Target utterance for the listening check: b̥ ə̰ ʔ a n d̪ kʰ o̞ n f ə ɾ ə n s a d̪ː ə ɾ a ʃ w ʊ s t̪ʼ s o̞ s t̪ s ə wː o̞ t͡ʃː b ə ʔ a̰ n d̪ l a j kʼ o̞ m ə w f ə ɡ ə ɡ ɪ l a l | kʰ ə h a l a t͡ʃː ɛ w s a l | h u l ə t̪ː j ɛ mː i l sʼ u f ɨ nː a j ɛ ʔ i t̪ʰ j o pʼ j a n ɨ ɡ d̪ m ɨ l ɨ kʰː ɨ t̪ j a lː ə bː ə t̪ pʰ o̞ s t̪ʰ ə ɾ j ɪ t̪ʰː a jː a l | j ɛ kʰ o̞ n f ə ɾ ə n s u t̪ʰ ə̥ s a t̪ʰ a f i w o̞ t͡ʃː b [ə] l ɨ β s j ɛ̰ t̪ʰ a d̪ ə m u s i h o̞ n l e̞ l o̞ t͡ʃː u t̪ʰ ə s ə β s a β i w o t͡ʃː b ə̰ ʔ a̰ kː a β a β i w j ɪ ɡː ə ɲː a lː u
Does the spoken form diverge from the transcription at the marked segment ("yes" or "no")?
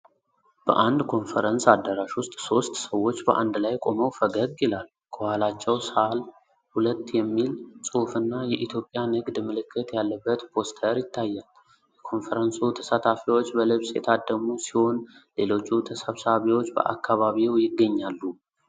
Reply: no